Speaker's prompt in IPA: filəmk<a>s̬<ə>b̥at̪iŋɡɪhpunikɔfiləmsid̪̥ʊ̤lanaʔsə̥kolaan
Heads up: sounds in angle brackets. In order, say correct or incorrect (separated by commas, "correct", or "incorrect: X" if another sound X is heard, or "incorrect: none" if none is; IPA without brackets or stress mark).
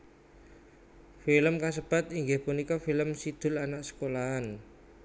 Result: correct, correct